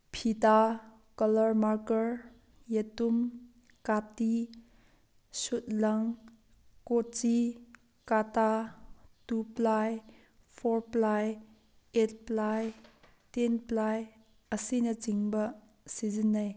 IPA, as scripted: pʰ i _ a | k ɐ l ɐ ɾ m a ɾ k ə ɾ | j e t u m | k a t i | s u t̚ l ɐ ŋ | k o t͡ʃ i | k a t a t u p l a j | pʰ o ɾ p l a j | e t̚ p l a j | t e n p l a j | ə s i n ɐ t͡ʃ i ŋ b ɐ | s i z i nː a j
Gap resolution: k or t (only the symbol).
t